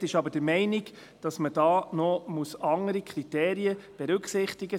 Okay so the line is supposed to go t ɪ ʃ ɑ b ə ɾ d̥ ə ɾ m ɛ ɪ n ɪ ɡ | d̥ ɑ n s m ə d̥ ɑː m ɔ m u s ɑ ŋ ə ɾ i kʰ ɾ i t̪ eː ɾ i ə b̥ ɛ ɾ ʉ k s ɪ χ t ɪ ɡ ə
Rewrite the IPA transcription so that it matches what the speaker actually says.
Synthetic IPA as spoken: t ɪ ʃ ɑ b ə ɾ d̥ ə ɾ m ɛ ɪ n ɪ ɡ | d̥ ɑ s m ə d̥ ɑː n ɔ m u s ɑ ŋ ə ɾ i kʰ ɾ i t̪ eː ɾ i ə b̥ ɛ ɾ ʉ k s ɪ χ t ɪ ɡ ə